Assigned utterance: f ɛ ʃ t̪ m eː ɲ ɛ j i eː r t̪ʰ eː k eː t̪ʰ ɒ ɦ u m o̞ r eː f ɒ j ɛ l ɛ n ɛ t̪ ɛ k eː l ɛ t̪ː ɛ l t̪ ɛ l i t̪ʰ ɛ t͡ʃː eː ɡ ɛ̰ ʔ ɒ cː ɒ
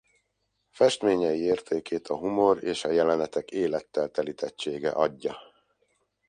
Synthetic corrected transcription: f ɛ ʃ t̪ m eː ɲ ɛ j i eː r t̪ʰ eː k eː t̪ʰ ɒ ɦ u m o̞ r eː ʃ ɒ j ɛ l ɛ n ɛ t̪ ɛ k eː l ɛ t̪ː ɛ l t̪ ɛ l i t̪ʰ ɛ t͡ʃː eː ɡ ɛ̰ ʔ ɒ ɟː ɒ